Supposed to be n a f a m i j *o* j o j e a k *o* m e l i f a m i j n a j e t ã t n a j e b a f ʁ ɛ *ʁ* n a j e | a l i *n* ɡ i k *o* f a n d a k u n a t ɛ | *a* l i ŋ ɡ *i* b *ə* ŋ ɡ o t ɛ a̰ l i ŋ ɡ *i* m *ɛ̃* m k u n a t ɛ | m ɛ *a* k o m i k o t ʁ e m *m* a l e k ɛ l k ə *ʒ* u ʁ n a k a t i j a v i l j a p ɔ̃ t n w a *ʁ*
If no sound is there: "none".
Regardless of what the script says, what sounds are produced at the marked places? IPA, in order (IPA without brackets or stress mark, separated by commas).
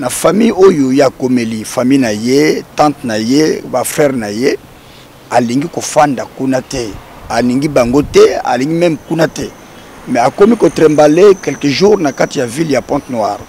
o, o, ʁ, ŋ, o, a, i, a, i, ɛ, a, b, ʒ, ʁ